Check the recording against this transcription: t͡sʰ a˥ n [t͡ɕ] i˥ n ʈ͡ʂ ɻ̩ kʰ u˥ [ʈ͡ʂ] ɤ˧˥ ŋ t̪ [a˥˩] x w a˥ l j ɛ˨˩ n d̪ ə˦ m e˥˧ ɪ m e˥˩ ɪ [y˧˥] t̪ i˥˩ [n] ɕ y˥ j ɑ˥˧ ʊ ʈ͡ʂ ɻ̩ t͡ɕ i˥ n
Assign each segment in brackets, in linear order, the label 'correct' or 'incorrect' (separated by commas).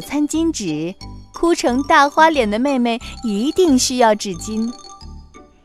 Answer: correct, incorrect, correct, incorrect, incorrect